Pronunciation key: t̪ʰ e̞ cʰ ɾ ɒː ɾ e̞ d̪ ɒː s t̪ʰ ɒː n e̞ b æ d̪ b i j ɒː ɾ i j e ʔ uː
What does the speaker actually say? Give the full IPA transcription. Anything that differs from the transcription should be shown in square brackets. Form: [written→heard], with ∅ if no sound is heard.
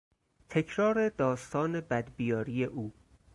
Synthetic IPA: t̪ʰ e̞ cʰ ɾ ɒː ɾ e̞ d̪ ɒː s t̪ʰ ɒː n e̞ b æ d̪ b i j ɒː ɾ i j e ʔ uː